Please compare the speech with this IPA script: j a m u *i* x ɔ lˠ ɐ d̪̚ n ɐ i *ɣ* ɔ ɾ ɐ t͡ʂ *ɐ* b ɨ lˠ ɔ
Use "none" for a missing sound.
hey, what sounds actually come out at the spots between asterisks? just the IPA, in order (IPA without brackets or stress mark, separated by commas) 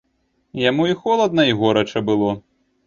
i, ɣ, ɐ